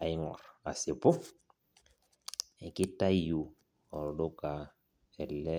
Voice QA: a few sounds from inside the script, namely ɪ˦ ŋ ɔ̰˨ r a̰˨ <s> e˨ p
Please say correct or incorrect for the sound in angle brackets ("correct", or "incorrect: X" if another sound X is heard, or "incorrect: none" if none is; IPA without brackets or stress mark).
correct